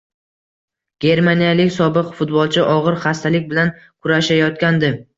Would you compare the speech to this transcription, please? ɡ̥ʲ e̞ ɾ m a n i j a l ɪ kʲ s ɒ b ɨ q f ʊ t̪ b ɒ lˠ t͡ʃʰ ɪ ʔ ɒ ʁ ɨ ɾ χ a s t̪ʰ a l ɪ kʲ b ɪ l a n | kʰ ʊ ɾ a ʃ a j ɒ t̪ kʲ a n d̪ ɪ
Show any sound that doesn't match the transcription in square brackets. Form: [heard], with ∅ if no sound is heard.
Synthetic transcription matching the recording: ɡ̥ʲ e̞ ɾ m a n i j a l ɪ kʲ s ɒ b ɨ q f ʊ t̪ b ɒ lˠ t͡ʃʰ ɪ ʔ ɒ ʁ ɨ ɾ χ a s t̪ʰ a l ɪ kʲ b ɪ l a n | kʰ ʊ ɾ a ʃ a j ɒ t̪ kʲ a n d̪ ɪ